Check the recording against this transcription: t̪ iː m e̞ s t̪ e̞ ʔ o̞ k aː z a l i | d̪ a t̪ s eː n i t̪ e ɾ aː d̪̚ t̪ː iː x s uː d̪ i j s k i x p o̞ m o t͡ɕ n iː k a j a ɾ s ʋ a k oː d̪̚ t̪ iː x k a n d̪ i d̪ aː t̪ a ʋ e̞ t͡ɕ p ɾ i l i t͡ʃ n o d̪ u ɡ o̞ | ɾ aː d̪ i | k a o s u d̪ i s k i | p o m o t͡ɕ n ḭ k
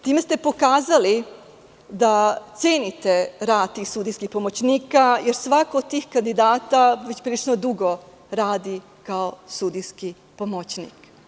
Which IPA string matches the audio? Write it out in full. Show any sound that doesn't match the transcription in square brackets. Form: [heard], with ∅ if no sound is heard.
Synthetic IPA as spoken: t̪ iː m e̞ s t̪ e̞ [p] o̞ k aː z a l i | d̪ a t̪ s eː n i t̪ e ɾ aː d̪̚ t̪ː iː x s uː d̪ i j s k i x p o̞ m o t͡ɕ n iː k a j [e] ɾ s ʋ a k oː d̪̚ t̪ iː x k a n d̪ i d̪ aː t̪ a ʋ e̞ t͡ɕ p ɾ i l i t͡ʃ n o d̪ u ɡ o̞ | ɾ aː d̪ i | k a o s u d̪ i s k i | p o m o t͡ɕ n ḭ k